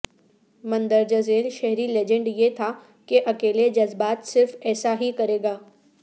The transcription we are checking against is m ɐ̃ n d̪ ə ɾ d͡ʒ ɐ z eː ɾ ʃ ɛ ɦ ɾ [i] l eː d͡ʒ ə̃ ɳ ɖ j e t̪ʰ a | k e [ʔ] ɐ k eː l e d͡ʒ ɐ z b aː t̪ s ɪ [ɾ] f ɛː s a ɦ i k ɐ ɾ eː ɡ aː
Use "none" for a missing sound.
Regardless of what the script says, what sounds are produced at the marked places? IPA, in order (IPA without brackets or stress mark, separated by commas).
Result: i, ʔ, ɾ